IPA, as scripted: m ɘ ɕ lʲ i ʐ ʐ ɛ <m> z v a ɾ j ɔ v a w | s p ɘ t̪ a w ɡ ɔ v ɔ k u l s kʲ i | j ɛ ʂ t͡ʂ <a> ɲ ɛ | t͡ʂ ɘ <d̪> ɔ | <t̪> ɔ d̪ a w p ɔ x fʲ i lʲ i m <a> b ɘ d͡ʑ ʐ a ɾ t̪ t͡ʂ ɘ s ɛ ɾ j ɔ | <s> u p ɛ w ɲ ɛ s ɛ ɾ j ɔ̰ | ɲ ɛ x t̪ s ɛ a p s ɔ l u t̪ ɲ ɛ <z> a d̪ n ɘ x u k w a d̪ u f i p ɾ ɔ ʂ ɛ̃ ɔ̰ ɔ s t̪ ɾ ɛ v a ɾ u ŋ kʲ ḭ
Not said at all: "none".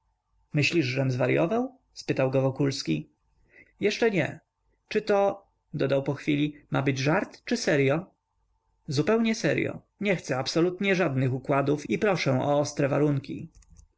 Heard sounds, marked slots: m, ɛ, t̪, d̪, a, z, ʐ

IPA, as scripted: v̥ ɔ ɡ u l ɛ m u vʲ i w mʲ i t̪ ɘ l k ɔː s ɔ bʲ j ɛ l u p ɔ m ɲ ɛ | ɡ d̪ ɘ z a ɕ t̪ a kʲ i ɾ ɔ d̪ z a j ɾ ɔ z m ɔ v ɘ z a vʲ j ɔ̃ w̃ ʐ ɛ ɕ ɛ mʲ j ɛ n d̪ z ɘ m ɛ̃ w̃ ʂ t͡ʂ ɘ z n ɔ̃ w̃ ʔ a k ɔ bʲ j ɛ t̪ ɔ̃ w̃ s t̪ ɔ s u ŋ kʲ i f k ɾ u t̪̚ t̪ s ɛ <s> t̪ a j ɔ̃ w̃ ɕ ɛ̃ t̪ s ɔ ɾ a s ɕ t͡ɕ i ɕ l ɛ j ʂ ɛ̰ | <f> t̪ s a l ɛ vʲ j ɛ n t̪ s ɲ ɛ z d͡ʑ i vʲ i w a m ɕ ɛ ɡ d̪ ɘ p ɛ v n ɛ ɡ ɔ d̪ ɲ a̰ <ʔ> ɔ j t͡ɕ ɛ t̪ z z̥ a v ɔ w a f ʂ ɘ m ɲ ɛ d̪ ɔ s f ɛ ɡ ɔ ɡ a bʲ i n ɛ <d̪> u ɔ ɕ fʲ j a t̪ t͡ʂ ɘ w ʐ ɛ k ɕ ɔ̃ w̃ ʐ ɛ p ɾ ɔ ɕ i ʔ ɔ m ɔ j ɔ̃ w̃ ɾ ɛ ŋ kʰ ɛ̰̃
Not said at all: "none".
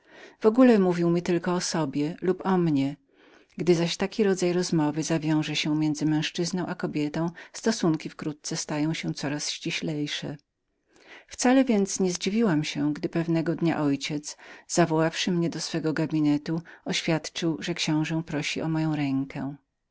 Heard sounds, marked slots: s, f, ʔ, t̪

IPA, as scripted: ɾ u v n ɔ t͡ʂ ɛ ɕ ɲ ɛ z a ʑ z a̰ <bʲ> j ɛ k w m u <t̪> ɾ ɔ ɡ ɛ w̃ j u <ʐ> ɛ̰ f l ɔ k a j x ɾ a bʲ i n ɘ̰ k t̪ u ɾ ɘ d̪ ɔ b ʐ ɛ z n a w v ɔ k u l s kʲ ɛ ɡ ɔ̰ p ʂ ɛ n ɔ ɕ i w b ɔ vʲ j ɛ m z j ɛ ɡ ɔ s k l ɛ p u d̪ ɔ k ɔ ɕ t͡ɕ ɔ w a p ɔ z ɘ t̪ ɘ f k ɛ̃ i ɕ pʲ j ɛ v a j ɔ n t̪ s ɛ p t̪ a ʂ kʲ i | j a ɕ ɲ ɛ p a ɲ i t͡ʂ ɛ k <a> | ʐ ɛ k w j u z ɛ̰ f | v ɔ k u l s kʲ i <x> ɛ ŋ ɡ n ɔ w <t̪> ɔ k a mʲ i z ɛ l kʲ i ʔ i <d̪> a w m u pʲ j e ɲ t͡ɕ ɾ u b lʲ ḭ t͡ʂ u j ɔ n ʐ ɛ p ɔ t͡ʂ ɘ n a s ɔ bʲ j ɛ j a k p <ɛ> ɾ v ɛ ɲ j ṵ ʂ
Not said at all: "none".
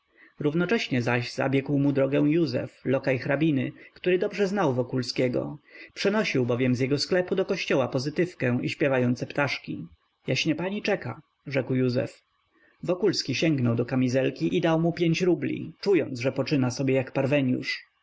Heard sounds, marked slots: bʲ, d̪, z, a, ɕ, d̪, d̪, a

